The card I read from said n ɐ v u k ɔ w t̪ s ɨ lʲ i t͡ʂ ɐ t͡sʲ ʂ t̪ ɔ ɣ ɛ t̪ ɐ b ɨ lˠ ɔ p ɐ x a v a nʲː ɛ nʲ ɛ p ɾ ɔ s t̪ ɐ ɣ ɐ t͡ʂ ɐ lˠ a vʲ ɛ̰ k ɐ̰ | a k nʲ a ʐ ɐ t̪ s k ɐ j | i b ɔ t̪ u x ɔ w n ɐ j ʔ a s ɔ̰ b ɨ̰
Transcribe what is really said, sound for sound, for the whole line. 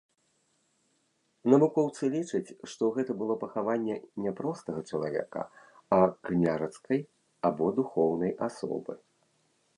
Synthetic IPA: n ɐ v u k ɔ w t̪ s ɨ lʲ i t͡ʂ ɐ t͡sʲ ʂ t̪ ɔ ɣ ɛ t̪ ɐ b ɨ lˠ ɔ p ɐ x a v a nʲː ɛ nʲ ɛ p ɾ ɔ s t̪ ɐ ɣ ɐ t͡ʂ ɐ lˠ a vʲ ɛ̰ k ɐ̰ | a k nʲ a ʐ ɐ t̪ s k ɐ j | a b ɔ d̪ u x ɔ w n ɐ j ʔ a s ɔ̰ b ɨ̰